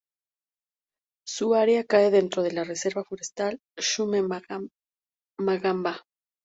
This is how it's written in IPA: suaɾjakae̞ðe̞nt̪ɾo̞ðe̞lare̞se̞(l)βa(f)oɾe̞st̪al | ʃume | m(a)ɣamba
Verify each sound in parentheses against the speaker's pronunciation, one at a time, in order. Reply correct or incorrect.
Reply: incorrect, correct, correct

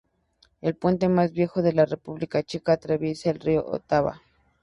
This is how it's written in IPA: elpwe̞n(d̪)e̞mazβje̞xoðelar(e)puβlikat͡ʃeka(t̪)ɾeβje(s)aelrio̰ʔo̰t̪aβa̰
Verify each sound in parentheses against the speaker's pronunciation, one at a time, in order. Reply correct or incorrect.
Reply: incorrect, correct, correct, correct

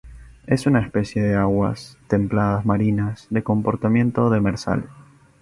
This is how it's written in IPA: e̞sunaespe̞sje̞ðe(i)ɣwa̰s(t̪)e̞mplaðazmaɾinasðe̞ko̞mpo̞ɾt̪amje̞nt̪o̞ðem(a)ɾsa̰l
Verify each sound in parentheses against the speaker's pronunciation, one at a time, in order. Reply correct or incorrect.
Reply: incorrect, correct, incorrect

